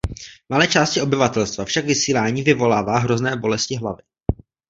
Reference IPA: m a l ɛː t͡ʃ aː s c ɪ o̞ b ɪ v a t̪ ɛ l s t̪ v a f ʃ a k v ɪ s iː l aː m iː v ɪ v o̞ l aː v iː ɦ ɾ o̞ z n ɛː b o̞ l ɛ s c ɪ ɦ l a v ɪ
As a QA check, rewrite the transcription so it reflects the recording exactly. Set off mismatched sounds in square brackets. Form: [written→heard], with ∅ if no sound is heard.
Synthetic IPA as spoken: m a l ɛː t͡ʃ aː s c ɪ o̞ b ɪ v a t̪ ɛ l s t̪ v a f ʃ a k v ɪ s iː l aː [m→ɲ] iː v ɪ v o̞ l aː v [iː→aː] ɦ ɾ o̞ z n ɛː b o̞ l ɛ s c ɪ ɦ l a v ɪ